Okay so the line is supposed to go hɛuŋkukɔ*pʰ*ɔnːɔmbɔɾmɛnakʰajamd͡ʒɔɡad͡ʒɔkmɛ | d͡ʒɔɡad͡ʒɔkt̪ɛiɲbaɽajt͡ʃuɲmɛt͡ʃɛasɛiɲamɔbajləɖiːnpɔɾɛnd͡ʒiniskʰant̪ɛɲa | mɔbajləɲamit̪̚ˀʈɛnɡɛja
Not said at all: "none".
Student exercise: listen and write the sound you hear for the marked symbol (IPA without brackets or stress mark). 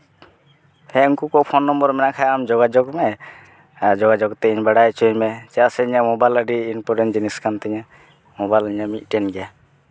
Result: pʰ